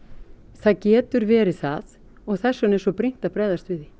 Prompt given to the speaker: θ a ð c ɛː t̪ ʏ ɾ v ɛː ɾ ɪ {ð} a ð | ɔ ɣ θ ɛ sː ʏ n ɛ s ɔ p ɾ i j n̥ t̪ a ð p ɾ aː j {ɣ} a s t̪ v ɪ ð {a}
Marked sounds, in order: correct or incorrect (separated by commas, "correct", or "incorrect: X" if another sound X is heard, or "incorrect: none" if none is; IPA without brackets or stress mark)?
incorrect: θ, incorrect: ð, incorrect: i